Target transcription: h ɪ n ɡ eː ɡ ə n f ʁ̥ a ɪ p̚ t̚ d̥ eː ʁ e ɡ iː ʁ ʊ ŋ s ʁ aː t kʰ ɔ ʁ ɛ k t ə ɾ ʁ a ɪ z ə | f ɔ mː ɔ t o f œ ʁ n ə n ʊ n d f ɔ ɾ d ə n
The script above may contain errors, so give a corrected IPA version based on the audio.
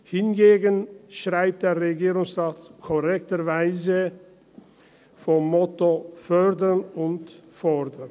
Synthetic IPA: h ɪ n ɡ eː ɡ ə n ʃ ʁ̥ a ɪ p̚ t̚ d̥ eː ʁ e ɡ iː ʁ ʊ ŋ s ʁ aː t kʰ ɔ ʁ ɛ k t ə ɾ v a ɪ z ə | f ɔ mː ɔ t o f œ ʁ d ə n ʊ n t f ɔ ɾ d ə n